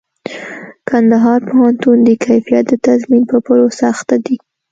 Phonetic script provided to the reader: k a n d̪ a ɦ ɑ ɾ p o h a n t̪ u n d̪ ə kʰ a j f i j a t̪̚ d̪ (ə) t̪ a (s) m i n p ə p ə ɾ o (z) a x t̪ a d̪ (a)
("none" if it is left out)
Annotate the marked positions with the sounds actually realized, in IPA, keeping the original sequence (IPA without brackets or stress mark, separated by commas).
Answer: ə, z, s, i